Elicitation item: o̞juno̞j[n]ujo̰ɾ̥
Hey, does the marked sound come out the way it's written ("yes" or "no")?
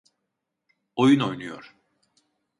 yes